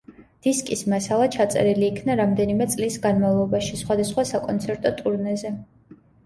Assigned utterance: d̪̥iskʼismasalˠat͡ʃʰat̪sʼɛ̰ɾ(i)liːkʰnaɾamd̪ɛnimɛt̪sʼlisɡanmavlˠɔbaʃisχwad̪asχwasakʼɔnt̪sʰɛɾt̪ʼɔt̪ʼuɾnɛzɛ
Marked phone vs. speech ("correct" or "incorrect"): correct